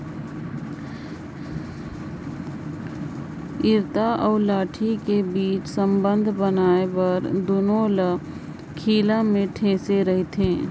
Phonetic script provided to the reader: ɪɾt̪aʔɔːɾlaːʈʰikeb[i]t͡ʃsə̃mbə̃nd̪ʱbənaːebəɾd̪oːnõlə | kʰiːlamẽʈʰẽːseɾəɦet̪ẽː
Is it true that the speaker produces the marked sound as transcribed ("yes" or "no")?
no